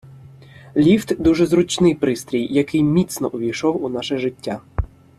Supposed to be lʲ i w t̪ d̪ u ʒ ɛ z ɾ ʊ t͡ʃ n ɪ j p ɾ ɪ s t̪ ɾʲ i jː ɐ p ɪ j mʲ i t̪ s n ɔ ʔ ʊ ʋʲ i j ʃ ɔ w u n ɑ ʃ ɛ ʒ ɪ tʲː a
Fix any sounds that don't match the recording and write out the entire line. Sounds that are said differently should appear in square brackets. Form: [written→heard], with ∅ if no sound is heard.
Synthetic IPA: lʲ i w t̪ d̪ u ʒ ɛ z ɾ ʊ t͡ʃ n ɪ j p ɾ ɪ s t̪ ɾʲ i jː ɐ [p→k] ɪ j mʲ i t̪ s n ɔ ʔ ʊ ʋʲ i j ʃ ɔ w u n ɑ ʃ ɛ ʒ ɪ tʲː a